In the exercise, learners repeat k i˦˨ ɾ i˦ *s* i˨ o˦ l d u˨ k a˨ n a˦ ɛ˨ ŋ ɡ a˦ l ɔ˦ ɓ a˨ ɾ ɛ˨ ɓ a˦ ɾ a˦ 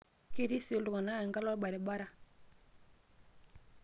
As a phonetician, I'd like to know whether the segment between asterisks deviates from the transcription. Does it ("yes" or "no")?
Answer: no